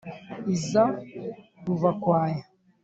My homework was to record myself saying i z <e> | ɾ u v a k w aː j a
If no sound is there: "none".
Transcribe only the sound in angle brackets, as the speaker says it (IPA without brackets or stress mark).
a